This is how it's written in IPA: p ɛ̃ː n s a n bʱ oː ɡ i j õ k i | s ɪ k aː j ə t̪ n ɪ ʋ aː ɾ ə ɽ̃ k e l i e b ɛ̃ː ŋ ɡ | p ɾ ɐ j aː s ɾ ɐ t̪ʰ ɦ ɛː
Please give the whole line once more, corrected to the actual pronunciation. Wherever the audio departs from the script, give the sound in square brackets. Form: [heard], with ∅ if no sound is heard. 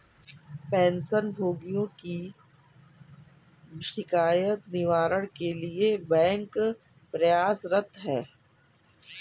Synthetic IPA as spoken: p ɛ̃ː n s [ə] n bʱ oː ɡ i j õ k i | [ʃ] ɪ k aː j ə t̪ n ɪ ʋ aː ɾ ə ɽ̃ k e l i e b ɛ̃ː ŋ [k] | p ɾ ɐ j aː s ɾ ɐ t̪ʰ ɦ ɛː